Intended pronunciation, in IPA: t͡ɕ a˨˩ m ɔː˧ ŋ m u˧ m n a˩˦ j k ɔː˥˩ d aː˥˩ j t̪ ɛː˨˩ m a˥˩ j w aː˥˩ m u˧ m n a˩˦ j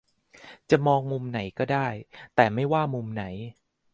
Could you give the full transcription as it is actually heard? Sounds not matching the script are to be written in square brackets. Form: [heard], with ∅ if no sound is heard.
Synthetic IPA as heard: t͡ɕ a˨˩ m ɔː˧ ŋ m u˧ m n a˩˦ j k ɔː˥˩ d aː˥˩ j t̪ ɛː˨˩ m a˥˩ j w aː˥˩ m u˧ m n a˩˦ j

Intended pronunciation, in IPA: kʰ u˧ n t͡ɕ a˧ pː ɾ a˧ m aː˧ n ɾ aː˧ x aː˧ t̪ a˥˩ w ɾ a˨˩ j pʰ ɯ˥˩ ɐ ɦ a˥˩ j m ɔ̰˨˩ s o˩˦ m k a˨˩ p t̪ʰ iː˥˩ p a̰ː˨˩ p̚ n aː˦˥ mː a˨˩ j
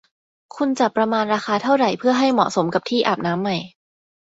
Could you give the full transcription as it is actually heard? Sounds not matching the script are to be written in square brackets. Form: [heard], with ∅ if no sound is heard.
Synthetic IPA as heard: kʰ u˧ n t͡ɕ [a˨˩] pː ɾ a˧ m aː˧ n ɾ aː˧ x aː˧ [t̪ʰ] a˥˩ w ɾ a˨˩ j pʰ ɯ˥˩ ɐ ɦ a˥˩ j m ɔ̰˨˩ s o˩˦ m k a˨˩ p t̪ʰ iː˥˩ [ʔ] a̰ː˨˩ p̚ n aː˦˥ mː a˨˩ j

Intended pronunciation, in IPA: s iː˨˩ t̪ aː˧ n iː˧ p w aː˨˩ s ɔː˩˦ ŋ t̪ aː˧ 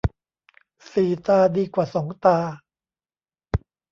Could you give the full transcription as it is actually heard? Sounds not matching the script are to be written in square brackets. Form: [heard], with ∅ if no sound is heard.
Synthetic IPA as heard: s iː˨˩ t̪ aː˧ [d] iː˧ [k] w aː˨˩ s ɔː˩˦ ŋ t̪ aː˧

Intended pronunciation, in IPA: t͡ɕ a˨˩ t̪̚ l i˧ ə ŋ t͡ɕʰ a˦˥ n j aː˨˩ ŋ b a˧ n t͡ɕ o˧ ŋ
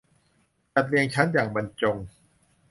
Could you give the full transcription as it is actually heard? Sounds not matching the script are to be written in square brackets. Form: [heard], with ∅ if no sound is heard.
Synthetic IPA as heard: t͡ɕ a˨˩ t̪̚ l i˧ ə ŋ t͡ɕʰ a˦˥ n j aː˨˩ ŋ b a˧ n t͡ɕ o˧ ŋ

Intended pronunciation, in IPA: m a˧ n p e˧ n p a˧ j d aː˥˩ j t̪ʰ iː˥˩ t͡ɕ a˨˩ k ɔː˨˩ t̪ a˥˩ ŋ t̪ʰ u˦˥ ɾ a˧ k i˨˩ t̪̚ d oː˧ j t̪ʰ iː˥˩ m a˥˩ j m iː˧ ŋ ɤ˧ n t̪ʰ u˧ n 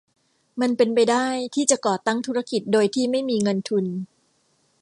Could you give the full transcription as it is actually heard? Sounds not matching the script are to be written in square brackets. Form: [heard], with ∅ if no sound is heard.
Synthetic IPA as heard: m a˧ n p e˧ n p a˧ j d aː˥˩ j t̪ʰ iː˥˩ t͡ɕ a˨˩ k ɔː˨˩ t̪ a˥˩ ŋ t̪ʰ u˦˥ ɾ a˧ k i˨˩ t̪̚ d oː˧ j t̪ʰ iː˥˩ m a˥˩ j m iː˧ ŋ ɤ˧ n t̪ʰ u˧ n

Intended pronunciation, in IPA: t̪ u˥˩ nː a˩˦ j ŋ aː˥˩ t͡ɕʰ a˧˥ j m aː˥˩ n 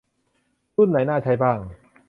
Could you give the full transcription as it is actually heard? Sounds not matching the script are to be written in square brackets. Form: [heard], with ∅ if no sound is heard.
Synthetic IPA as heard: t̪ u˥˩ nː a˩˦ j [n] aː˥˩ t͡ɕʰ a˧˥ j [b] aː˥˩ [ŋ]

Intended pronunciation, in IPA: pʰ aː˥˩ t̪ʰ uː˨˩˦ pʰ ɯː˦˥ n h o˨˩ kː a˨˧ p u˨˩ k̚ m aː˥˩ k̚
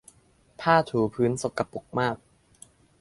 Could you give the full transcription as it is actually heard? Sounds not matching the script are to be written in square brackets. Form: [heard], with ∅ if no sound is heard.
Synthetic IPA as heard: pʰ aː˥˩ t̪ʰ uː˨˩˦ pʰ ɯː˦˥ n [s] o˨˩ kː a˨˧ p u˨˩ k̚ m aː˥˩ k̚

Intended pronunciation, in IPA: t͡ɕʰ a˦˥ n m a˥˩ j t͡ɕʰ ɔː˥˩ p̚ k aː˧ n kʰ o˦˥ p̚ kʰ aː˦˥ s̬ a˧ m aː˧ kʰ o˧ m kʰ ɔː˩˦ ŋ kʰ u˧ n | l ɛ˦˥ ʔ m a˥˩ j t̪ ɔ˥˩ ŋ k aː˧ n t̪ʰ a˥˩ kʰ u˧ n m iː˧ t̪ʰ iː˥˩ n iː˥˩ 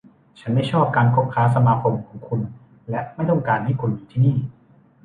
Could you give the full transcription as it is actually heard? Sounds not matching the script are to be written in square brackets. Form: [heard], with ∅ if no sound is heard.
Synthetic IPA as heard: t͡ɕʰ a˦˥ n m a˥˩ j t͡ɕʰ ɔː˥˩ p̚ k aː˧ n kʰ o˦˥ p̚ kʰ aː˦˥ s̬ a˧ m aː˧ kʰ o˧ m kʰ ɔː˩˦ ŋ kʰ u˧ n | l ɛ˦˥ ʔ m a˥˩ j t̪ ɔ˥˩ ŋ k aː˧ n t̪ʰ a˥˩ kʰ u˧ n m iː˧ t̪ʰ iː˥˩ n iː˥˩

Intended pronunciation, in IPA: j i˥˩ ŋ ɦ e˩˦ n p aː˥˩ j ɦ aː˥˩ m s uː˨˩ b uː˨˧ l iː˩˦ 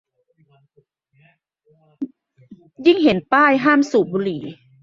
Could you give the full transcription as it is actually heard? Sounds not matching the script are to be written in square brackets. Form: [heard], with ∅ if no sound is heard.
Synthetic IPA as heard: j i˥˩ ŋ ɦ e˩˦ n p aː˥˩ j ɦ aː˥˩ m s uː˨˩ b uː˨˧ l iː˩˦

